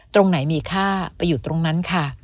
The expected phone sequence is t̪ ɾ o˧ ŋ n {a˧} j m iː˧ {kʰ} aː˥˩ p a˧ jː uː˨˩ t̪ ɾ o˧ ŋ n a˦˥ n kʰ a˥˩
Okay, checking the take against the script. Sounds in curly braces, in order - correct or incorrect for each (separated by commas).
incorrect, correct